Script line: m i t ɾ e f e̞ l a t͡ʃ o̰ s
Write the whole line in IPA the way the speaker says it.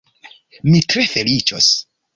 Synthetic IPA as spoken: m i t ɾ e f e̞ l i t͡ʃ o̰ s